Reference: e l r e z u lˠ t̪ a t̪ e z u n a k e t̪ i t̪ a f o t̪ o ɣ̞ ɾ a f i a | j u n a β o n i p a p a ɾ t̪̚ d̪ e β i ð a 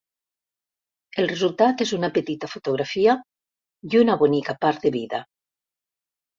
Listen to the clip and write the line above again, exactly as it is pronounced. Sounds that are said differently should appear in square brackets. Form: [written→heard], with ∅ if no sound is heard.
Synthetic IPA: e l r e z u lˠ t̪ a t̪ e z u n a [k→p] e t̪ i t̪ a f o t̪ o ɣ̞ ɾ a f i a | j u n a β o n i [p→k] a p a ɾ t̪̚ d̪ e β i ð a